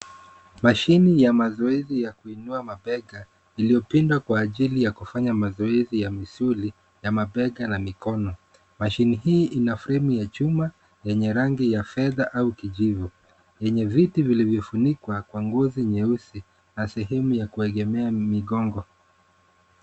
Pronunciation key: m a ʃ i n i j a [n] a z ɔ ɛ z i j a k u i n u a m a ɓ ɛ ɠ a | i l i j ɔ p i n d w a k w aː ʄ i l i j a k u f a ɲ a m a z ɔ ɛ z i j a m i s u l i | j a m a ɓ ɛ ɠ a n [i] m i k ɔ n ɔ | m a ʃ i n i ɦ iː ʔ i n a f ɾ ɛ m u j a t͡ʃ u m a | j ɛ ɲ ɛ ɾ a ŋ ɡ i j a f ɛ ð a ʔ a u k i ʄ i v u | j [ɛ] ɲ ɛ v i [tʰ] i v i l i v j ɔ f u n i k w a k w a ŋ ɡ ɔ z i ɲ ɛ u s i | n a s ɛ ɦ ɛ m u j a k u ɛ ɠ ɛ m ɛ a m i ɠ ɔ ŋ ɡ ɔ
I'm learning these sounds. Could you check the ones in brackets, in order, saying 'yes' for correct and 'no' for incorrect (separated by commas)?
no, no, yes, no